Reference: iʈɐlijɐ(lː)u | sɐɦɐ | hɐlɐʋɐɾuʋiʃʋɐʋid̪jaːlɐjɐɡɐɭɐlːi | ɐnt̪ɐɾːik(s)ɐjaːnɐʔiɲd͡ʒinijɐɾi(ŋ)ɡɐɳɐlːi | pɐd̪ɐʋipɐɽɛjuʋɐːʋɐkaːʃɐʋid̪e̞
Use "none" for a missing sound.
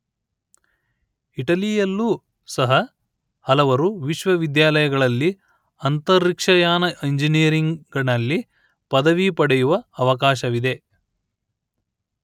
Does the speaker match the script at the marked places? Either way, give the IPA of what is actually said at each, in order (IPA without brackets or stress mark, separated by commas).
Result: lː, ʂ, ŋ